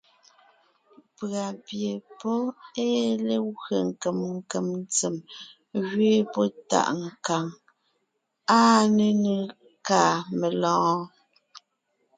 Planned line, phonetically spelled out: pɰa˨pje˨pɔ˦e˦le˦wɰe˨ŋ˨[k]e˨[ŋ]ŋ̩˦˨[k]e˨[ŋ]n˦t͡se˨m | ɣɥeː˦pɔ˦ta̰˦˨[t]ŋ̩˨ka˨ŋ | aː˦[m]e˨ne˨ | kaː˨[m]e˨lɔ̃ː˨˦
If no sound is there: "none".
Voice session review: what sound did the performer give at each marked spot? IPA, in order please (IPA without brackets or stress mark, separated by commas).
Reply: k, m, k, m, ʔ, n, m